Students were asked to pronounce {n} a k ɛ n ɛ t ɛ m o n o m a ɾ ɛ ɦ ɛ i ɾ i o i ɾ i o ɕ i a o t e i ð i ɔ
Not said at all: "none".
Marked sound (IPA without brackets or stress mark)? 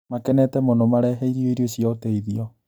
m